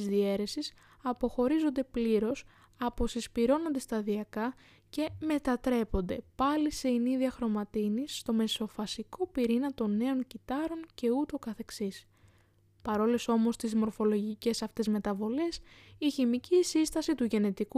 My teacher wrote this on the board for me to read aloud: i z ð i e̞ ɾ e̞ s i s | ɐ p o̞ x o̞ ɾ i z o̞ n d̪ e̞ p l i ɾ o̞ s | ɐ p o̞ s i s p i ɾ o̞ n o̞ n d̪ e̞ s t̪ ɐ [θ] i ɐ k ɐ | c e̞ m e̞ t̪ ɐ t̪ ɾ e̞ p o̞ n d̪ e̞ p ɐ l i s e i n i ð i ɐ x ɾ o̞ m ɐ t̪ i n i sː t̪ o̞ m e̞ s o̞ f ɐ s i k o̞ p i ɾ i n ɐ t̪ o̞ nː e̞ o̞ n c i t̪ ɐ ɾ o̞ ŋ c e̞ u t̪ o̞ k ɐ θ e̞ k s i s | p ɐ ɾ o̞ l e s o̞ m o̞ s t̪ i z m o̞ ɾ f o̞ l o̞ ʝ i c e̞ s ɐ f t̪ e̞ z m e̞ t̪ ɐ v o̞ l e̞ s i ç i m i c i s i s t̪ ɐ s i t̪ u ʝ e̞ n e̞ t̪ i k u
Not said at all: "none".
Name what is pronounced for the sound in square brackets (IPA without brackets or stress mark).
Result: ð